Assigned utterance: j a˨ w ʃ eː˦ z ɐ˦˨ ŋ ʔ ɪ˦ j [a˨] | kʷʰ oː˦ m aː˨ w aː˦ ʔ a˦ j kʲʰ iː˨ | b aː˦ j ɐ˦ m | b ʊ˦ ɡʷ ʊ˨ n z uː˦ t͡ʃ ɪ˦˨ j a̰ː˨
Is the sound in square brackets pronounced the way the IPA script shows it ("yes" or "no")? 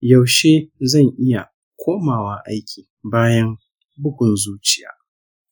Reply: yes